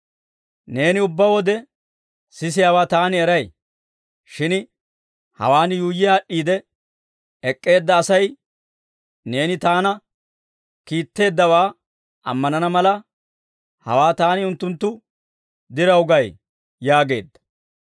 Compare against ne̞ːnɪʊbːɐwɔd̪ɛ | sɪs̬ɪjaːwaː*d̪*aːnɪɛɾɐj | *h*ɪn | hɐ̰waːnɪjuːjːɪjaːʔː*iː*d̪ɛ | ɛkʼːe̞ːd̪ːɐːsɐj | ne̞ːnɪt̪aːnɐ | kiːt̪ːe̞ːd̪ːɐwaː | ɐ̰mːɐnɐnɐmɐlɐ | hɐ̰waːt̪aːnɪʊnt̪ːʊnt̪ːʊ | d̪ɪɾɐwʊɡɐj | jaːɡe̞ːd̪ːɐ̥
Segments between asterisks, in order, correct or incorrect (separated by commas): incorrect, incorrect, correct